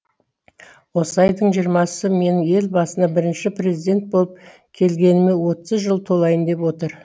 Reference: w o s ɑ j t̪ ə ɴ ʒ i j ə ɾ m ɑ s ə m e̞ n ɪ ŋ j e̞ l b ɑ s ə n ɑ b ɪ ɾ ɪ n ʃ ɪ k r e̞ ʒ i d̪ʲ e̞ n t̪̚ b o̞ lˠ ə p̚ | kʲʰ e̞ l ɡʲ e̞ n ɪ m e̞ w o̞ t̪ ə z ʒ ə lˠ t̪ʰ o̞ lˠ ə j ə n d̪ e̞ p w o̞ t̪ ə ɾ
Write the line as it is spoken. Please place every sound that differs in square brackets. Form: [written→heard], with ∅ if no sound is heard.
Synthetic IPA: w o s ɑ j [t̪→d̪] ə ɴ ʒ i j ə ɾ m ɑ s ə m e̞ n ɪ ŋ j e̞ l b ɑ s ə n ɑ b ɪ ɾ ɪ n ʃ ɪ [k→p] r e̞ [ʒ→z] i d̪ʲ e̞ n t̪̚ b o̞ lˠ ə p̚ | kʲʰ e̞ l ɡʲ e̞ n ɪ m e̞ w o̞ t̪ ə z ʒ ə lˠ t̪ʰ o̞ lˠ [ə→ɑ] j ə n d̪ e̞ p w o̞ t̪ ə ɾ